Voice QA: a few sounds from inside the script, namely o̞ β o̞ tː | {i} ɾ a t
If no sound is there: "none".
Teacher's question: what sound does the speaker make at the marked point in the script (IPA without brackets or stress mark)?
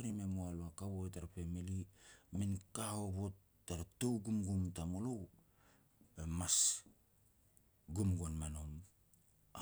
a